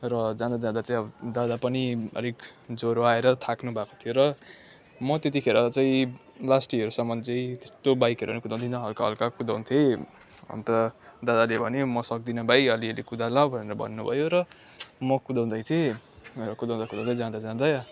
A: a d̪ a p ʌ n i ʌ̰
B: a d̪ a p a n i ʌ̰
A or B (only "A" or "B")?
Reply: A